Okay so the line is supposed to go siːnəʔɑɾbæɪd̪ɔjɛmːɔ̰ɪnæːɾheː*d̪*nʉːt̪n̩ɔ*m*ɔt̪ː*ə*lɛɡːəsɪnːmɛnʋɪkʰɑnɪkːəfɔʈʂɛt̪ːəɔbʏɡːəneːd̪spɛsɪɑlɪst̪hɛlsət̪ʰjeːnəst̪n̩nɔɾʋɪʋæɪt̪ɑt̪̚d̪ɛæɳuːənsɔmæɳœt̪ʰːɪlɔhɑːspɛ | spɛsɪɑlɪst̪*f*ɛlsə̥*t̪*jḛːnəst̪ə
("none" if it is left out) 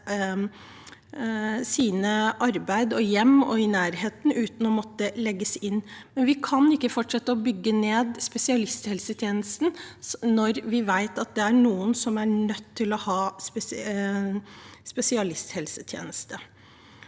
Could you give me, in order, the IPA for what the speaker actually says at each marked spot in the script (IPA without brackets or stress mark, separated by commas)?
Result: t̪, m, ə, h, t̪ʰ